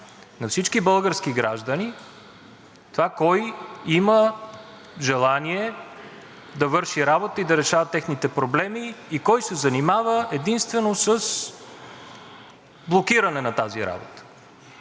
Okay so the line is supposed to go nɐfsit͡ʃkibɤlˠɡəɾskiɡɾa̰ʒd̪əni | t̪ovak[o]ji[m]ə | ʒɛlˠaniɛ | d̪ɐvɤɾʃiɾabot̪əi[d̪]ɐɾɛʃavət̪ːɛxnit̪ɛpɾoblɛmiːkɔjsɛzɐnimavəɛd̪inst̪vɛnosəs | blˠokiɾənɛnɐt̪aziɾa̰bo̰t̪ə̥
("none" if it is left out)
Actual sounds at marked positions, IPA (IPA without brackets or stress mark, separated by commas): ɔ, m, d̪